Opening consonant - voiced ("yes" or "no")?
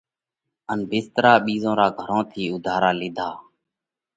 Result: yes